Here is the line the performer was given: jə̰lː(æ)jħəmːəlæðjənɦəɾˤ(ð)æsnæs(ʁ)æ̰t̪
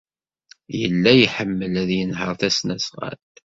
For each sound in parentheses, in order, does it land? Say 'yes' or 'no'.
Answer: yes, no, yes

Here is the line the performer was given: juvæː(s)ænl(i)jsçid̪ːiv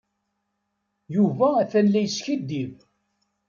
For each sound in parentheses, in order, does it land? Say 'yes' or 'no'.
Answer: no, no

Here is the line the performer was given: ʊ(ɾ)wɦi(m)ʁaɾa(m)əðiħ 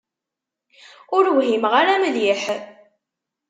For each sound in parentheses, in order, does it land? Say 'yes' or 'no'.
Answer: yes, yes, yes

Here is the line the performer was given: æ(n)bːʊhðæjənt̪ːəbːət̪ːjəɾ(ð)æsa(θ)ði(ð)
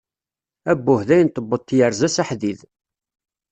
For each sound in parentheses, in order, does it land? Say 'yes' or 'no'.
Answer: no, no, no, yes

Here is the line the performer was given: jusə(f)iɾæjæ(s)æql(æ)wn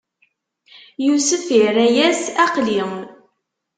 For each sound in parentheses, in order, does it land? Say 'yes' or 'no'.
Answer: yes, yes, no

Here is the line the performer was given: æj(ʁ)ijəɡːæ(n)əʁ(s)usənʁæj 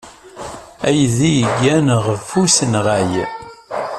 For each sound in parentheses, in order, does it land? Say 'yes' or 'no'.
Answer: no, yes, no

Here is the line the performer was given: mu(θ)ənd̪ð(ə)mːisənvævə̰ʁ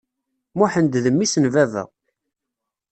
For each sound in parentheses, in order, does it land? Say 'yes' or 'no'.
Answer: no, yes

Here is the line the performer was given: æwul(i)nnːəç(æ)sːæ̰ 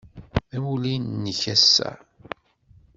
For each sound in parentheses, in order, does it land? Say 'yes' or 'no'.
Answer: yes, yes

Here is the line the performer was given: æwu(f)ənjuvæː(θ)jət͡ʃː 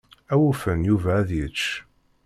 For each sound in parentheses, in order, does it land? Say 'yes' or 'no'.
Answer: yes, no

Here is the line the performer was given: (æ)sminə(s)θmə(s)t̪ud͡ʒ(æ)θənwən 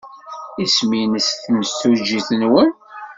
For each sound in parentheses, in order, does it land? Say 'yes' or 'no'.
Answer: no, yes, yes, no

